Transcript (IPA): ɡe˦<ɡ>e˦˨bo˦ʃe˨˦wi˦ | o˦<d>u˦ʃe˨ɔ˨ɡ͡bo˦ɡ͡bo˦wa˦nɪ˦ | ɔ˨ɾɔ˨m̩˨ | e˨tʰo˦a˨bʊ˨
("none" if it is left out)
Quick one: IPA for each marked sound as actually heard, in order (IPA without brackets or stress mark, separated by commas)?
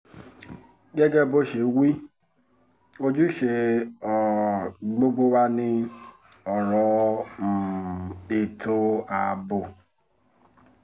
ɡ, d͡ʒ